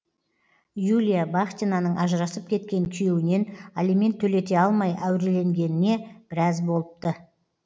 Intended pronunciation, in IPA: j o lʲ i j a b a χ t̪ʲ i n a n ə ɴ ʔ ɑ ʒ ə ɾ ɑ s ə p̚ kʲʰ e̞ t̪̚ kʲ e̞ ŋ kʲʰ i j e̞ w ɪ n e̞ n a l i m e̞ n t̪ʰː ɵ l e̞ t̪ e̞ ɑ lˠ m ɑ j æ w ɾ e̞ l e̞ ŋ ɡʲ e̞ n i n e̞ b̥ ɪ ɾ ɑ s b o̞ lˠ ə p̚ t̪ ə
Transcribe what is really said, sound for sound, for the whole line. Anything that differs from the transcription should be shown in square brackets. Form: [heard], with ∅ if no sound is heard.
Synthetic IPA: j [u] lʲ i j a b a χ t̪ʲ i n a n ə ɴ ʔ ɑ ʒ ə ɾ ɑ s ə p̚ kʲʰ e̞ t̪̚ kʲ e̞ ŋ kʲʰ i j e̞ w ɪ n e̞ n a l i m e̞ n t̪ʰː ɵ l e̞ t̪ e̞ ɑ lˠ m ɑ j æ w ɾ e̞ l e̞ ŋ ɡʲ e̞ n [ɪ] n e̞ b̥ ɪ ɾ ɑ [z] b o̞ lˠ ə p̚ t̪ ə